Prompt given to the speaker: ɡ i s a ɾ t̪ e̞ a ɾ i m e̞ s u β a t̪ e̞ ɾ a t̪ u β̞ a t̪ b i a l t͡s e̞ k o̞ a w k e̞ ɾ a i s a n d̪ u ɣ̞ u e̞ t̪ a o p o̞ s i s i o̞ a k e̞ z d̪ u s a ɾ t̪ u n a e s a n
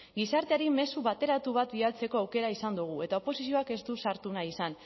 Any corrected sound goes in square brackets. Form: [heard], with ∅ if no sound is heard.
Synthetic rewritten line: ɡ i s a ɾ t̪ e̞ a ɾ i m e̞ s u β a t̪ e̞ ɾ a t̪ u β̞ a t̪ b i a l t͡s e̞ k o̞ a w k e̞ ɾ a i s a n d̪ u ɣ̞ u e̞ t̪ a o p o̞ s i s i o̞ a k e̞ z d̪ u s a ɾ t̪ u n a [i] s a n